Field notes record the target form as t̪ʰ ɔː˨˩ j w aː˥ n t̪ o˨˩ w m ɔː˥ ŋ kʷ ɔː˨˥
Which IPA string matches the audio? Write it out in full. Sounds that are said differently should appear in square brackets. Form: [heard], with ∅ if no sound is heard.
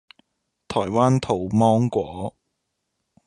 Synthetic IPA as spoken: t̪ʰ ɔː˨˩ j w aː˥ n [t̪ʰ] o˨˩ w m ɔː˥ ŋ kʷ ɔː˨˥